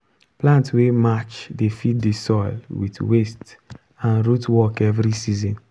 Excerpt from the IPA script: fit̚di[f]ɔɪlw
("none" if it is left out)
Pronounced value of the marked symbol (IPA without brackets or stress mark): s